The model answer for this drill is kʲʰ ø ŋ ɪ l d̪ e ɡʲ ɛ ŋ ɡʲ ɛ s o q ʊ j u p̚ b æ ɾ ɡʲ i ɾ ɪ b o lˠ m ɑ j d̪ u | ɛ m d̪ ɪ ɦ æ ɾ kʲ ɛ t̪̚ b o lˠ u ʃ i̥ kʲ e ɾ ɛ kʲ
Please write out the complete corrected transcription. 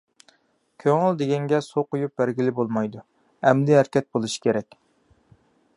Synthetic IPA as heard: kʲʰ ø ŋ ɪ l d̪ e ɡʲ ɛ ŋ ɡʲ ɛ s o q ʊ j u p̚ b æ ɾ ɡʲ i l ɪ b o lˠ m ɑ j d̪ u | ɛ m d̪ ɪ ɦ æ ɾ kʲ ɛ t̪̚ b o lˠ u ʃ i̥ kʲ e ɾ ɛ kʲ